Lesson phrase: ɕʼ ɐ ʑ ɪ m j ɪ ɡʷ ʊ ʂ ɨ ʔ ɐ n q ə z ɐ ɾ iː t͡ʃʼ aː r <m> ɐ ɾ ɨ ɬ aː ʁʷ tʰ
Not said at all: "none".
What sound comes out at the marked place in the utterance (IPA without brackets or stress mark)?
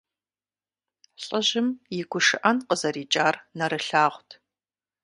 n